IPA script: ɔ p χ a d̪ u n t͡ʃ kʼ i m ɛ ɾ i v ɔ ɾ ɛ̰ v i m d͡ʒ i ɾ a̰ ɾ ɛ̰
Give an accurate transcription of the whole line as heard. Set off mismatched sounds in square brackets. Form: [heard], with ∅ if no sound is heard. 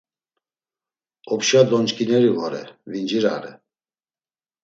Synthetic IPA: ɔ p [ʃ] a d̪ [ɔ] n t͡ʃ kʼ i [n] ɛ ɾ i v ɔ ɾ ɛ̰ v i [n] d͡ʒ i ɾ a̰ ɾ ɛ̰